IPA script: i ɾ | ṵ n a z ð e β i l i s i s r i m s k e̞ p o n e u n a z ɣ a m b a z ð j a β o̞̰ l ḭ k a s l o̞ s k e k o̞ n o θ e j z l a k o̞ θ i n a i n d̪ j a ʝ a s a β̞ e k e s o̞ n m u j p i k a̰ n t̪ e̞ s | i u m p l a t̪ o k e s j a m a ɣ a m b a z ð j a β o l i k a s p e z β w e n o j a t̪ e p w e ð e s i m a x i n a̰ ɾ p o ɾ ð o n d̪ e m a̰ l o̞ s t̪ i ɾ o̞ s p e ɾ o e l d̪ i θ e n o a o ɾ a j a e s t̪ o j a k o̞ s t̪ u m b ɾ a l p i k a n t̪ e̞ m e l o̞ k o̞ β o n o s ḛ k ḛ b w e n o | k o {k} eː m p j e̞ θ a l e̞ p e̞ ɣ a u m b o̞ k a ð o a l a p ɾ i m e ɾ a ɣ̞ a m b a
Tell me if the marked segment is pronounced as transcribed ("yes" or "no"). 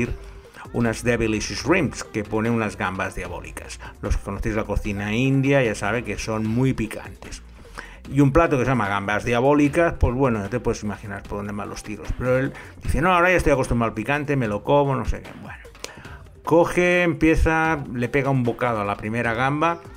no